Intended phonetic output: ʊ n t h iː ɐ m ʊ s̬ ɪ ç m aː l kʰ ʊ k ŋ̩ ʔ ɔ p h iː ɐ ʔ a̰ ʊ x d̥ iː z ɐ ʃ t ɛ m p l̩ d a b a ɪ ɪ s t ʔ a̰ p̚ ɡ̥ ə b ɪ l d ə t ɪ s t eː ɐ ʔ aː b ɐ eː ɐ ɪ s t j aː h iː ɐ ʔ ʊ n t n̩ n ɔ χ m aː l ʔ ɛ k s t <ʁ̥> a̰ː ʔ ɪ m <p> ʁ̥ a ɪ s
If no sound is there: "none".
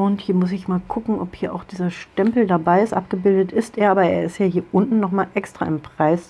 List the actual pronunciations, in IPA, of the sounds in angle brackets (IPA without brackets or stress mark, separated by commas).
ʁ̥, p